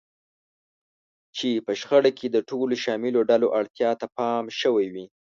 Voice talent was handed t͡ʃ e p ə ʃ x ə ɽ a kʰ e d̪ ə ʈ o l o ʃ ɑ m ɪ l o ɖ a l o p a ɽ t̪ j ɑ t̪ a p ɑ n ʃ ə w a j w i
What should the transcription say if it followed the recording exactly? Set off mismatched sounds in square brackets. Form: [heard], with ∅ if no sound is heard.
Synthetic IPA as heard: t͡ʃ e p ə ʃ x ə ɽ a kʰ e d̪ ə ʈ o l o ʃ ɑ m ɪ l o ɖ a l o [ʔ] a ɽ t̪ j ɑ t̪ a p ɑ [m] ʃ ə w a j w i

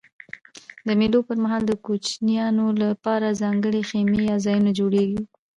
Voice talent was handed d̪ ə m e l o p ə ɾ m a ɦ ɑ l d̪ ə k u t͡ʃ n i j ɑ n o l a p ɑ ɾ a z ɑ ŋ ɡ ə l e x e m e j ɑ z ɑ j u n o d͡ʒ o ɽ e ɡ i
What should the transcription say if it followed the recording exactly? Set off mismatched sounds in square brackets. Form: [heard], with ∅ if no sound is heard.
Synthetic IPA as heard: d̪ ə m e l o p ə ɾ m a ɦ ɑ l d̪ ə k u t͡ʃ n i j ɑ n o l a p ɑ ɾ a z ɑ ŋ ɡ ə [ɽ] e x e m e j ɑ z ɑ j u n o d͡ʒ o ɽ e ɡ i

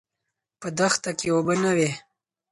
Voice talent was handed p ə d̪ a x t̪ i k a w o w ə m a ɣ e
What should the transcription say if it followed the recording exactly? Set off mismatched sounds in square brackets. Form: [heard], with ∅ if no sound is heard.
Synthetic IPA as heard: p ə d̪ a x t̪ [a] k [e] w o [b] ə [n] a [w] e

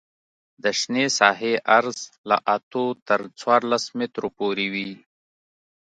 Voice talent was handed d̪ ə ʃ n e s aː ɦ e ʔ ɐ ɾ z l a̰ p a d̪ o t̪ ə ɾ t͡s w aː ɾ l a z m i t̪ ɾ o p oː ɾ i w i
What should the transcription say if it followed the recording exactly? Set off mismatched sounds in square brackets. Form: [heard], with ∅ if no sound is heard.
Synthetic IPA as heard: d̪ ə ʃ n e s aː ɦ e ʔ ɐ ɾ z l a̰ [ʔ] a [t̪] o t̪ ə ɾ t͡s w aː ɾ l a [s] m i t̪ ɾ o p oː ɾ i w i

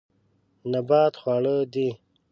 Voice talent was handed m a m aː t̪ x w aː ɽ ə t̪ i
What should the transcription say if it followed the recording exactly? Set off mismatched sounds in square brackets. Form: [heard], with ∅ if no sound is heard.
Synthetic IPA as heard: [n] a [b] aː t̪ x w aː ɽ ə [d̪] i

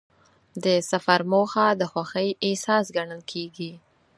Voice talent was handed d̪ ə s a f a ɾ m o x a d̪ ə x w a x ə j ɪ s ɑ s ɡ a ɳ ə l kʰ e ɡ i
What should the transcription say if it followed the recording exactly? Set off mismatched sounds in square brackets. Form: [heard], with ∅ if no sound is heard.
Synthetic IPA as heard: d̪ ə s a f a ɾ m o x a d̪ ə x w a x ə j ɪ s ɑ s ɡ a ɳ ə l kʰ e ɡ i

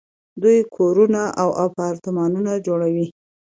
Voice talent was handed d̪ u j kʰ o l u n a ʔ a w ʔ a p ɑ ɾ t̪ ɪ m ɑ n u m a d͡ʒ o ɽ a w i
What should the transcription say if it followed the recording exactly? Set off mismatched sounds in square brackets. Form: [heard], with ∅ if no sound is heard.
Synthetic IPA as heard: d̪ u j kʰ o [ɾ] u n a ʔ a w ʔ a p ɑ ɾ t̪ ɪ m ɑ n u [n] a d͡ʒ o ɽ a w i

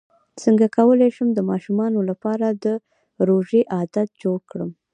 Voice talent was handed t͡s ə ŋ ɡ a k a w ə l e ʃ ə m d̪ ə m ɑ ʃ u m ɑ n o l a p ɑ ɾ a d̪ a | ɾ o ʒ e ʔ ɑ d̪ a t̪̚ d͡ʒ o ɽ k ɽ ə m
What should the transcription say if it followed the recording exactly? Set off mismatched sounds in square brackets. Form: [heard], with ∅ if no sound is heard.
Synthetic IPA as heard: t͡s ə ŋ ɡ a k a w ə l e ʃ ə m d̪ ə m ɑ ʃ u m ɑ n o l a p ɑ ɾ a d̪ [ə] | ɾ o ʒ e ʔ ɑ d̪ a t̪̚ d͡ʒ o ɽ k ɽ ə m

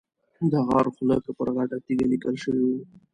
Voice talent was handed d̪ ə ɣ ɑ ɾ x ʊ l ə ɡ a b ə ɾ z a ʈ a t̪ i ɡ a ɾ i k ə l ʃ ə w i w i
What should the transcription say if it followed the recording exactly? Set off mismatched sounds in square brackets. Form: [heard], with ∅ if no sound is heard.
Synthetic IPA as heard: d̪ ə ɣ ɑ ɾ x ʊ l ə [k] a [p] ə ɾ [ɣ] a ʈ a t̪ i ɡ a [l] i k ə l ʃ ə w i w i

